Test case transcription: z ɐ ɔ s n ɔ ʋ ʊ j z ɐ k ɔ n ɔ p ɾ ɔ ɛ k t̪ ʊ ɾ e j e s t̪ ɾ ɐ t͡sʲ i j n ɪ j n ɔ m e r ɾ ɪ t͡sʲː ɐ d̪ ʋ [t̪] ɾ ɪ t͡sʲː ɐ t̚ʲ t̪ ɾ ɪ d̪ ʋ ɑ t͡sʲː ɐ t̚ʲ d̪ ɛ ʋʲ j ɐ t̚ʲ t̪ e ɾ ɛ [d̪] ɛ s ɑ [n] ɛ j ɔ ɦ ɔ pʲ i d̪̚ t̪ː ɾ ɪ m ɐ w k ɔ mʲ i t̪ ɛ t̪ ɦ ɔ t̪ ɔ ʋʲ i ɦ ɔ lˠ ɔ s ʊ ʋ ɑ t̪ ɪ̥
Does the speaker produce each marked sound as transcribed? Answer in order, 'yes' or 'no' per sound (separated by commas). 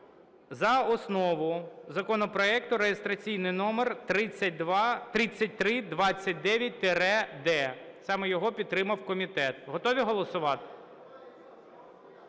yes, yes, no